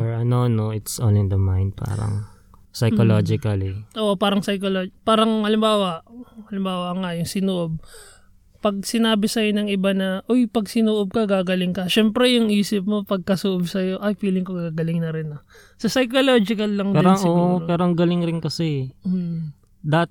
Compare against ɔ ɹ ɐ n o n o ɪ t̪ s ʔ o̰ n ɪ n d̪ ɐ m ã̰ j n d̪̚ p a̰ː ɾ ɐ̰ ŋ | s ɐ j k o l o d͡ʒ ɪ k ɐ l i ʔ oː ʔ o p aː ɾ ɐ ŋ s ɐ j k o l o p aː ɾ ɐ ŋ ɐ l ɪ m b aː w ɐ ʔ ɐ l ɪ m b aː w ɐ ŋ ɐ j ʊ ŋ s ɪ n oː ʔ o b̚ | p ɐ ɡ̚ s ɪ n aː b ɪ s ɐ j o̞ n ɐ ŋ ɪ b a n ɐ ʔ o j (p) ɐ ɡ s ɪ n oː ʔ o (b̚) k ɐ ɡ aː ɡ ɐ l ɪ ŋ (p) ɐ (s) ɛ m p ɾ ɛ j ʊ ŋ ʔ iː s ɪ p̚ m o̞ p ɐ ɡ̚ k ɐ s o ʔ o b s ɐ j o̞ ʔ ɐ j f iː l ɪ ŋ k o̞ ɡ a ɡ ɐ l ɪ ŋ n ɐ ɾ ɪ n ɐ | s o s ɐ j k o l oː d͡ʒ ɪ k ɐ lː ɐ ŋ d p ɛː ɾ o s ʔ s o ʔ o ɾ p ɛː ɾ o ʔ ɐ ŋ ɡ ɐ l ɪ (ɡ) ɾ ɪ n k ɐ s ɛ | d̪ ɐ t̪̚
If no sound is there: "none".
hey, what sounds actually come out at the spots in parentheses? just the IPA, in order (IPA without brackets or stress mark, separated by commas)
p, b̚, k, ʃ, ŋ